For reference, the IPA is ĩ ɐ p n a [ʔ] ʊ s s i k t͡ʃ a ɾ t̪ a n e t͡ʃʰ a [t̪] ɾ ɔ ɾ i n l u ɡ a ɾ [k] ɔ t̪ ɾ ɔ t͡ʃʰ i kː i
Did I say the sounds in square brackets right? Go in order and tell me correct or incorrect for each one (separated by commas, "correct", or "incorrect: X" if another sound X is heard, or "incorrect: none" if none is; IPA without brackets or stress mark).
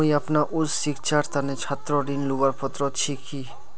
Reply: correct, correct, incorrect: p